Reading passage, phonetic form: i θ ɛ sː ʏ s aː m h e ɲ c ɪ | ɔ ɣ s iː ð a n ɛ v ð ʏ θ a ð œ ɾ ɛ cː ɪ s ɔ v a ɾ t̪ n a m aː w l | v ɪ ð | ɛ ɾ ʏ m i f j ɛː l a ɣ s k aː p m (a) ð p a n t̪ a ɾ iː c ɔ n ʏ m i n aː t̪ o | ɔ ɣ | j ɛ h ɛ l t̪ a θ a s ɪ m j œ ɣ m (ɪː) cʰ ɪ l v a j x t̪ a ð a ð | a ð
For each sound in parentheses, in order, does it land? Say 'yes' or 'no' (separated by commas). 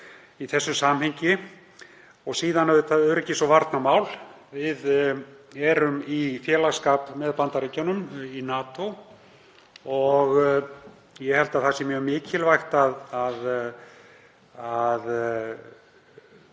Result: no, yes